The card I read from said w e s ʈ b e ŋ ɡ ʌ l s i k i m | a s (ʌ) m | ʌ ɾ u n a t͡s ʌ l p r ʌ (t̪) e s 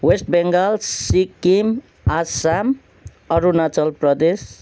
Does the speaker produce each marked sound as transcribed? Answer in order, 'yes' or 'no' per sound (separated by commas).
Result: no, no